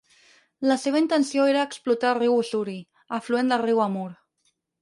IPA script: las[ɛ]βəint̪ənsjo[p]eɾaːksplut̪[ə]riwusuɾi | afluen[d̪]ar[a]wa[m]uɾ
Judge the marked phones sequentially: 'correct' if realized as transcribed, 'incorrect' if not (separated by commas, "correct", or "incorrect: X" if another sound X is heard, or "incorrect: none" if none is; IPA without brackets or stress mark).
incorrect: e, incorrect: none, incorrect: a, correct, incorrect: i, correct